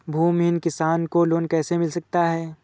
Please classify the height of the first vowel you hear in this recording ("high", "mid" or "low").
high